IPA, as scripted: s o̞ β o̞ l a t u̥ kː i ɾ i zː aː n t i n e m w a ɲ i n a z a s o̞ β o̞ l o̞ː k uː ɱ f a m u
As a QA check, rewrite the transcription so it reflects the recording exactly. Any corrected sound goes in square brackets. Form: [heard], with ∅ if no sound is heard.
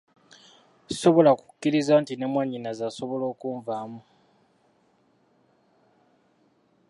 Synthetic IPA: s o̞ β o̞ l a [k] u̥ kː i ɾ i [z] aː n t i n e m w a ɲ i n a z a s o̞ β o̞ l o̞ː k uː ɱ [v] a m u